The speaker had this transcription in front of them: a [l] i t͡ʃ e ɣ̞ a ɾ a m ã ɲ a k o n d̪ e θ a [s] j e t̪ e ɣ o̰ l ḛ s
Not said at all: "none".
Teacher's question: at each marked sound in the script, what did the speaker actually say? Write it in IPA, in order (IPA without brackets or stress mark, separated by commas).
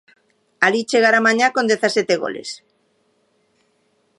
l, s